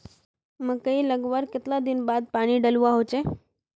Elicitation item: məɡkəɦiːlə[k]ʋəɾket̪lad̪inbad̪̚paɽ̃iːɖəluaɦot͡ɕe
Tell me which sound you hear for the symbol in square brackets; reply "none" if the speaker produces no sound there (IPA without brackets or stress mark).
ɡ